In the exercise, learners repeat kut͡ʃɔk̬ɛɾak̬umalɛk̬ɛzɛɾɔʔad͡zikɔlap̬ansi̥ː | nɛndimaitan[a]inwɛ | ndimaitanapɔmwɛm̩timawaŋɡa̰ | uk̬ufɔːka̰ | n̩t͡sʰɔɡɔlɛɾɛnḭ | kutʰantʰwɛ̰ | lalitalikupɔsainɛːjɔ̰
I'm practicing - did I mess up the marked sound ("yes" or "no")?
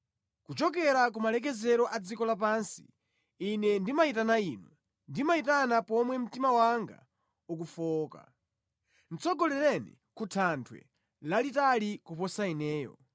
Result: no